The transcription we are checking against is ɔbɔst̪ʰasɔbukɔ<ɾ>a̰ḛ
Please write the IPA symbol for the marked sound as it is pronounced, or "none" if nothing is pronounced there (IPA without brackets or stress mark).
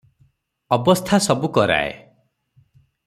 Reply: ɾ